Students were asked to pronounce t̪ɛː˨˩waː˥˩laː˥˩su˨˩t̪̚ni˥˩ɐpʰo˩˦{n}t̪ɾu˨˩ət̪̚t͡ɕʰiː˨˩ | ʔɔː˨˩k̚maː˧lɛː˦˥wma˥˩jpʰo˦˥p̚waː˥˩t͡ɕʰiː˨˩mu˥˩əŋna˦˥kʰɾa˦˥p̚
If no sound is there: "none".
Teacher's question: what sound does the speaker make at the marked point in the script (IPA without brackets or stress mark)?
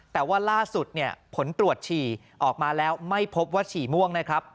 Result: n